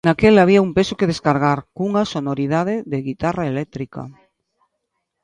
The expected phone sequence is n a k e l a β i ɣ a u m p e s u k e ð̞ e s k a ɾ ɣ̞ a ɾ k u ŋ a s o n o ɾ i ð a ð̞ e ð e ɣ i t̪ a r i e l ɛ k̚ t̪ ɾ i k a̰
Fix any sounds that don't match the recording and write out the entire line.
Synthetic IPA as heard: n a k e l a β i a u m p e s o k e ð̞ e s k a ɾ ɣ̞ a ɾ k u ŋ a s o n o ɾ i ð a ð̞ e ð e ɣ i t̪ a r a e l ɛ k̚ t̪ ɾ i k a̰